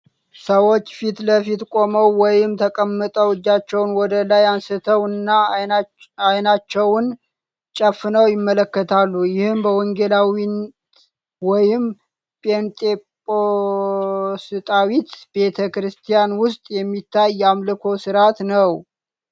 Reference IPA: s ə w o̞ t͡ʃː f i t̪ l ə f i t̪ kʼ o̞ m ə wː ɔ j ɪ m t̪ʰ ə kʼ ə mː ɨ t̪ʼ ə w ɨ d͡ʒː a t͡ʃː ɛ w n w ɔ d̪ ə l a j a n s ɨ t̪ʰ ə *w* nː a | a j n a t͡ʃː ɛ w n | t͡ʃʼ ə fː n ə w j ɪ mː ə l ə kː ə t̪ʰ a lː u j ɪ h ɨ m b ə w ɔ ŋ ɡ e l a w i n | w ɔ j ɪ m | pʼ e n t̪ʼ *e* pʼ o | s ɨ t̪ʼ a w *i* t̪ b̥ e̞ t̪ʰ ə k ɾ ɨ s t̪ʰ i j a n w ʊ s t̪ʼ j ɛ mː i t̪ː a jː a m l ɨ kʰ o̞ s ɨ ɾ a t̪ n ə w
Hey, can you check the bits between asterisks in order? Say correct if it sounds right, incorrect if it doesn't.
correct, correct, correct

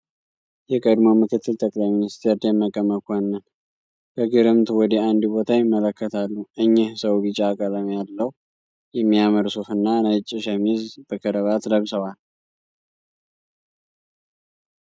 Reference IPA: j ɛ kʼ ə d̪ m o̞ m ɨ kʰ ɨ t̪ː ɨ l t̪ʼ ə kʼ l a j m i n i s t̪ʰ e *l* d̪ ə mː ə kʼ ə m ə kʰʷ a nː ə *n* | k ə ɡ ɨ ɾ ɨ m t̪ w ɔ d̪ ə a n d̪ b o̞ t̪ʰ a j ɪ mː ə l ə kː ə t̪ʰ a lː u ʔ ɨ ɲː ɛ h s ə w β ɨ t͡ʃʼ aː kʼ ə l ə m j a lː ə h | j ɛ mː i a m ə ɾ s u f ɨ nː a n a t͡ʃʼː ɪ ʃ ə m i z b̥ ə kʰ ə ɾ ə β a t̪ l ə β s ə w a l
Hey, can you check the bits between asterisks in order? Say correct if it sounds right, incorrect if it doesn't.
incorrect, correct

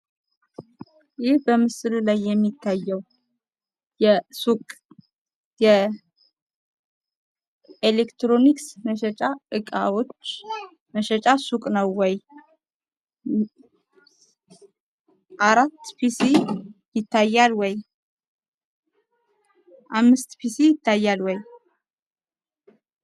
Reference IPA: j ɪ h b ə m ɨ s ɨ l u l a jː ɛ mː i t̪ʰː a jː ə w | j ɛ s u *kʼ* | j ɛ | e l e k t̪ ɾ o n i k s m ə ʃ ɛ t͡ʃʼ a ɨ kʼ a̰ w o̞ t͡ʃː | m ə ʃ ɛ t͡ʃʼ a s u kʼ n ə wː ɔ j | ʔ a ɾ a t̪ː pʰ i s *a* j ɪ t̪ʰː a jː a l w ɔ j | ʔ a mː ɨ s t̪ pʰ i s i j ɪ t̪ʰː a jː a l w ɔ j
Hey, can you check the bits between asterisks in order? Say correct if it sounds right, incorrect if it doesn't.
correct, incorrect

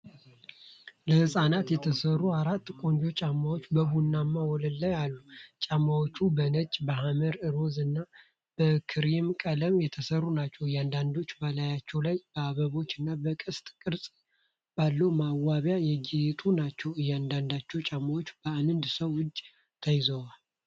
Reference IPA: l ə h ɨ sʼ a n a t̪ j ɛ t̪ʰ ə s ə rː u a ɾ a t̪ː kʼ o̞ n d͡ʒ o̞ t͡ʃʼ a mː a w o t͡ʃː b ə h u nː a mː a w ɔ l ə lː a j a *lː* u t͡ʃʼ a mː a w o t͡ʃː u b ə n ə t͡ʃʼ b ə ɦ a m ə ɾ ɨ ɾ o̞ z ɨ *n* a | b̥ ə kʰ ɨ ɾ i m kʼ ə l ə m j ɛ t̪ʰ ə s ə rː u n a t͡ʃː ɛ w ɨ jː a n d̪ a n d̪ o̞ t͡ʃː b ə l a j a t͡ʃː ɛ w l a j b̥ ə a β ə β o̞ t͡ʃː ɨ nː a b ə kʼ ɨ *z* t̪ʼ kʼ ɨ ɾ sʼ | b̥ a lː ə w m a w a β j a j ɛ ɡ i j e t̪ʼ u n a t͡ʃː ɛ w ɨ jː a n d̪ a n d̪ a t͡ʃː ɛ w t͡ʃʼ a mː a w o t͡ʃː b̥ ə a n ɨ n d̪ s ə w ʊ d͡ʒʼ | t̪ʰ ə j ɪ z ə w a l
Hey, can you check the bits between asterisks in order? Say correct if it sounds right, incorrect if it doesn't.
correct, incorrect, incorrect

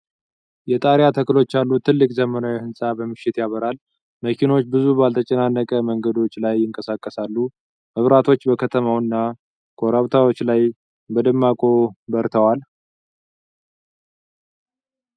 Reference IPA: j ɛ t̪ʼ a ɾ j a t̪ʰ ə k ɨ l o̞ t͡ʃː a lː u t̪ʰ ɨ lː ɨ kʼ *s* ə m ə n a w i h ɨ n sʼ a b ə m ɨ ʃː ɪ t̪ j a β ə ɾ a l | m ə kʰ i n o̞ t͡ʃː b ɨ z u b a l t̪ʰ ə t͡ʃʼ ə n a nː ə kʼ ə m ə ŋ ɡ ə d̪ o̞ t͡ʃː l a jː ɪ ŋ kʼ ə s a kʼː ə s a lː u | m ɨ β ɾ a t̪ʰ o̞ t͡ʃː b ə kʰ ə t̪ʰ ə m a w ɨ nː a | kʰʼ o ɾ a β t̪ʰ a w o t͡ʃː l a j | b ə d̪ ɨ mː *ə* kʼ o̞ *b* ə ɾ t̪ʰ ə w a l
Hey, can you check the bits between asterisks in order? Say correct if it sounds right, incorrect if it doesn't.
incorrect, incorrect, correct

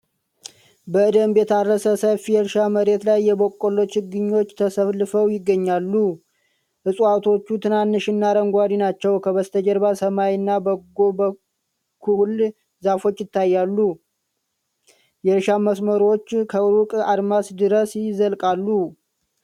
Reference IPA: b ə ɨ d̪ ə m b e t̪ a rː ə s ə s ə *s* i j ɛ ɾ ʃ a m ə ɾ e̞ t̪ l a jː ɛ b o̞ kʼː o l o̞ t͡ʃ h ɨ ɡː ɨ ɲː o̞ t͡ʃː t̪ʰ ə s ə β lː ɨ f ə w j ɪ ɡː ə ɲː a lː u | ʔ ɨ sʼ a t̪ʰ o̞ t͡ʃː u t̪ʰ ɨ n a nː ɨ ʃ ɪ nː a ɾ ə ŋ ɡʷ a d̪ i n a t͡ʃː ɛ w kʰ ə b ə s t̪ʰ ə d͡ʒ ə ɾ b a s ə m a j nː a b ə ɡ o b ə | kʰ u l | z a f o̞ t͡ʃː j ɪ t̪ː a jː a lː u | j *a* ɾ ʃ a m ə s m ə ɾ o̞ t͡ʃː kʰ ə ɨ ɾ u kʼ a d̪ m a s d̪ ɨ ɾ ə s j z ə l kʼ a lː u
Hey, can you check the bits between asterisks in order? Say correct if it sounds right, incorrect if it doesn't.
incorrect, incorrect

